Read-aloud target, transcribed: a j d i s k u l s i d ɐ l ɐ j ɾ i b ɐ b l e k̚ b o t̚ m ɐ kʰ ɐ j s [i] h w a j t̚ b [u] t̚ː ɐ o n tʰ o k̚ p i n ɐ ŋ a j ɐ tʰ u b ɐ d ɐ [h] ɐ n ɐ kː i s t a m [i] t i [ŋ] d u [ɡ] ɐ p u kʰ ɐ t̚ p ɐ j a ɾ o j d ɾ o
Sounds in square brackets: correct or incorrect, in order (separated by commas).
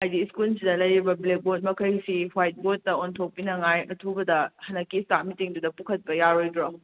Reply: correct, incorrect, correct, correct, correct, incorrect